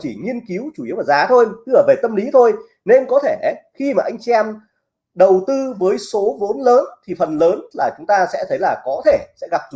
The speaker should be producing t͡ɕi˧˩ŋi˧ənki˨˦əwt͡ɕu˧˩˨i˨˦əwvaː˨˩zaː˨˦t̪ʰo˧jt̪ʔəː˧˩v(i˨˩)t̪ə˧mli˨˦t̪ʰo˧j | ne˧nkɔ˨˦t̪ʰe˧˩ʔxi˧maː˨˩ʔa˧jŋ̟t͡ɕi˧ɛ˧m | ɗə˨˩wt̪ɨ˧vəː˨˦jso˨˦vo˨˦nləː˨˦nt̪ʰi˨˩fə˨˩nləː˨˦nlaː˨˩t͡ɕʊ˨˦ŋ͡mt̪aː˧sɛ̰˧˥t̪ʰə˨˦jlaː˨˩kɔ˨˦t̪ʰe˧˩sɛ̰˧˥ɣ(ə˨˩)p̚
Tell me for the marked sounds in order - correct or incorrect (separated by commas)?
incorrect, incorrect